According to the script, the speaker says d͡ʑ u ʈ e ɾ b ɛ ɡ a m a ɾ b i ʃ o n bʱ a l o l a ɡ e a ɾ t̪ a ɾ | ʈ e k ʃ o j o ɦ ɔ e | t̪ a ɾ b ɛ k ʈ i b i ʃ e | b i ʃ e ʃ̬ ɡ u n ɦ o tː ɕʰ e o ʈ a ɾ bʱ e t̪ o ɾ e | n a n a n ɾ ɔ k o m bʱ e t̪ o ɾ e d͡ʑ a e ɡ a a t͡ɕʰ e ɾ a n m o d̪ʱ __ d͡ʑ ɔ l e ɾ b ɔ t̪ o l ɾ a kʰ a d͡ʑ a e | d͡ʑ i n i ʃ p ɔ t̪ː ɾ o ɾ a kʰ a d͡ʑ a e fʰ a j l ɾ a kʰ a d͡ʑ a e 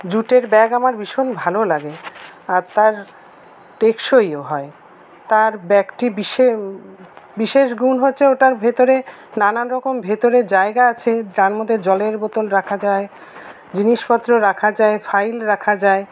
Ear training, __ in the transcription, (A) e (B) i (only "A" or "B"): A